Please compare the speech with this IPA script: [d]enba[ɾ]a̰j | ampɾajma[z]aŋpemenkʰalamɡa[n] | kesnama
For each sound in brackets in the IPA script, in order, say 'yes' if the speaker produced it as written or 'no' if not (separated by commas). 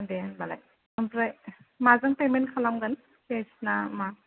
yes, no, yes, yes